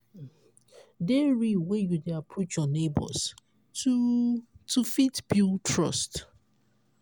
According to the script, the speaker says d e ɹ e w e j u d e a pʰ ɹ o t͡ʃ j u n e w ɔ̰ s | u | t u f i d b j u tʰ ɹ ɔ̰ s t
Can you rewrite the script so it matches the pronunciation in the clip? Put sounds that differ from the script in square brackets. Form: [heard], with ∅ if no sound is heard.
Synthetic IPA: d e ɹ [i] w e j u d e a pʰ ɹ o t͡ʃ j [ɔ] n e [b] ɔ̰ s | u | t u f i [t] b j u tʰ ɹ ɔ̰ s t